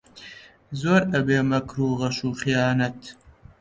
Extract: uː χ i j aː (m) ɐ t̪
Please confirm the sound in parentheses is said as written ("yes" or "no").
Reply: no